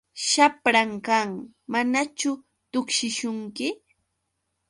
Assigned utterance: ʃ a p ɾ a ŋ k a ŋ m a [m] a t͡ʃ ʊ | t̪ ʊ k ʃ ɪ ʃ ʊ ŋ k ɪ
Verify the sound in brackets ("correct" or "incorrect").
incorrect